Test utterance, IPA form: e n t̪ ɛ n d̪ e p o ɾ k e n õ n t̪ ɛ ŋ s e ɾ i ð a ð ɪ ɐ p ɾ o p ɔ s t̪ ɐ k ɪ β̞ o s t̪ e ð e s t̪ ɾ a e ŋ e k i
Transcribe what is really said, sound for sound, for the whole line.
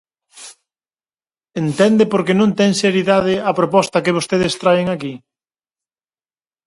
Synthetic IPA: e n t̪ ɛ n d̪ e p o ɾ k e n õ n t̪ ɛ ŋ s e ɾ i ð a ð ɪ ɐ p ɾ o p ɔ s t̪ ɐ k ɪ β̞ o s t̪ e ð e s t̪ ɾ a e ŋ a k i